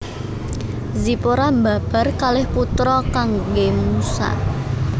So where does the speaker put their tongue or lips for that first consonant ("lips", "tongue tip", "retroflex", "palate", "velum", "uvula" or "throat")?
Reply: tongue tip